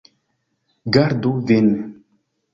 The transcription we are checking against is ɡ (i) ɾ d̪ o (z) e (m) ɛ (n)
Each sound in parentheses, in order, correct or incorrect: incorrect, incorrect, incorrect, incorrect

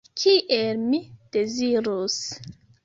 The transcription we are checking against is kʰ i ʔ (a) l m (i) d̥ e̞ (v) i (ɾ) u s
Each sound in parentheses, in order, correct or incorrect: incorrect, correct, incorrect, correct

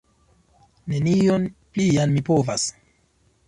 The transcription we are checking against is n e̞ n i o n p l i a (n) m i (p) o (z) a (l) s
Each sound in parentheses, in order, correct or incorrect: correct, correct, incorrect, incorrect

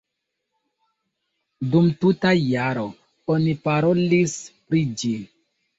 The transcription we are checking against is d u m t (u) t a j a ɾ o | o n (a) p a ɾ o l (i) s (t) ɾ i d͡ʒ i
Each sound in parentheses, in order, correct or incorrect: correct, incorrect, correct, incorrect

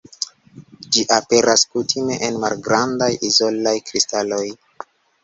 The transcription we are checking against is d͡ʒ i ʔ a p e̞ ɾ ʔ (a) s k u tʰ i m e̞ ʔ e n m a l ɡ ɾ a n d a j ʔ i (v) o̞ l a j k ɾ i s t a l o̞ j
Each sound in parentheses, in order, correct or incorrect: correct, incorrect

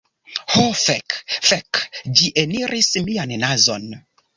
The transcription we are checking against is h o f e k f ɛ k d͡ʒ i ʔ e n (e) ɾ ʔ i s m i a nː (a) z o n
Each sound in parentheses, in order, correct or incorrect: incorrect, correct

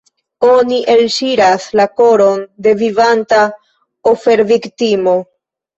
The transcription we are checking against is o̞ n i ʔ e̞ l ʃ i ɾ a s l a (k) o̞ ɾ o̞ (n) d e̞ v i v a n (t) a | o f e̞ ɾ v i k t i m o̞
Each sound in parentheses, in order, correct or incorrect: correct, correct, correct

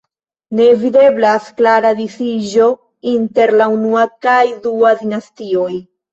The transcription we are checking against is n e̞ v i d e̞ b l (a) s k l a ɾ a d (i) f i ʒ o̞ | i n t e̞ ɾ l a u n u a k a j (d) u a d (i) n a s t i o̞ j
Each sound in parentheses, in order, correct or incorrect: correct, correct, correct, correct

